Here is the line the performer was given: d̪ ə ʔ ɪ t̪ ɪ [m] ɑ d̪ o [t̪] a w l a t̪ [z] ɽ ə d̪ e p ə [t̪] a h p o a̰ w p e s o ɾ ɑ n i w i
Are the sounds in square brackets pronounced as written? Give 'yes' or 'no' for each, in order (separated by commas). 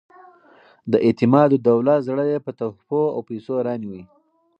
yes, no, yes, yes